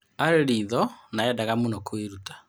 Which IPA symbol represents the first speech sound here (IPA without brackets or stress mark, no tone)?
a